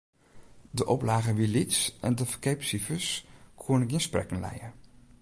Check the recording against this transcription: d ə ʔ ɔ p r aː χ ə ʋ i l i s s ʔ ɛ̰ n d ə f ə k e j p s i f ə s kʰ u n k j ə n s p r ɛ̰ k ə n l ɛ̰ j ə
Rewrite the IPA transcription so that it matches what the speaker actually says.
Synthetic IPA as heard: d ə ʔ ɔ p l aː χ ə ʋ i l i t s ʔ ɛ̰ n d ə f ə k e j p s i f ə s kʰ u n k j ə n s p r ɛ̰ k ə n l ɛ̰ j ə

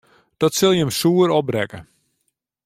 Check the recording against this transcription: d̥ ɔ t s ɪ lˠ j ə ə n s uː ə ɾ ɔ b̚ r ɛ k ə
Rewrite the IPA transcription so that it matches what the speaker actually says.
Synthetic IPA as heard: d̥ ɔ t s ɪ lˠ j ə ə m s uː ə ɾ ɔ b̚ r ɛ k ə

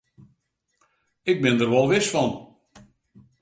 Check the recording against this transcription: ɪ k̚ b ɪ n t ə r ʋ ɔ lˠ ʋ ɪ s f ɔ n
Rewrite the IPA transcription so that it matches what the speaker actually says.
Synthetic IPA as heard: ɪ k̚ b ɪ n d ə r ʋ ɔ lˠ ʋ ɪ s f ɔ n

